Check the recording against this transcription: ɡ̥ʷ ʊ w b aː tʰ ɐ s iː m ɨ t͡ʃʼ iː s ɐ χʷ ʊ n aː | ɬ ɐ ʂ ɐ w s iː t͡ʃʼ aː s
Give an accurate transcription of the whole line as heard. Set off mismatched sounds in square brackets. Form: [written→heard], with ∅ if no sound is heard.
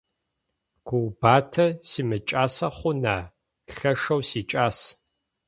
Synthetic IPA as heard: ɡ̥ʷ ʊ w b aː tʰ ɐ s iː m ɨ t͡ʃʼ [iː→aː] s ɐ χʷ ʊ n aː | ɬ ɐ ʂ ɐ w s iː t͡ʃʼ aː s